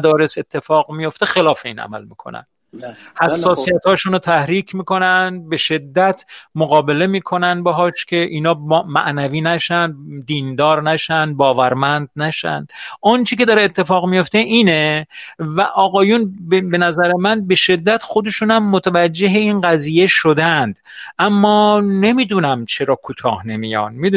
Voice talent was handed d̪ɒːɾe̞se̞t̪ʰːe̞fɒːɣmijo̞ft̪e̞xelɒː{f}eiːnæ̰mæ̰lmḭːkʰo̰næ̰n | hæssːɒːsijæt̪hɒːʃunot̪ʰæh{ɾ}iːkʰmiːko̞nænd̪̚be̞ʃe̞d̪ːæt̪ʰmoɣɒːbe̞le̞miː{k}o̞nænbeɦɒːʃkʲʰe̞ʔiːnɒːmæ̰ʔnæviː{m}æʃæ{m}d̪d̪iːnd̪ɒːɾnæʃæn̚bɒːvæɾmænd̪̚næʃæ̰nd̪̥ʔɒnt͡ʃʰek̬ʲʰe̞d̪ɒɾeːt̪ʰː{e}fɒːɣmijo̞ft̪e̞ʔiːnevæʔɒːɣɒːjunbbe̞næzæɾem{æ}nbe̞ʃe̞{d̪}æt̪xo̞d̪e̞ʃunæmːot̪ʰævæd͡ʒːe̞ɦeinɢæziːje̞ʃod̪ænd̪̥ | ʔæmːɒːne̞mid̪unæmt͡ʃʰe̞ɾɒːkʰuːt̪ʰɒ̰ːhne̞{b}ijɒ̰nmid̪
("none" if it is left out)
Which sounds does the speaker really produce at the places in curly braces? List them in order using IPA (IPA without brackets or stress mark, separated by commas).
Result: f, ɾ, kʰ, n, n, e, æ, d̪ː, m